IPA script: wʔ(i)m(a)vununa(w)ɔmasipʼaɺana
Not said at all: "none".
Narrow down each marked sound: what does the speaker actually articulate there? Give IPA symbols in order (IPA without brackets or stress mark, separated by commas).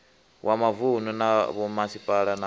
a, a, β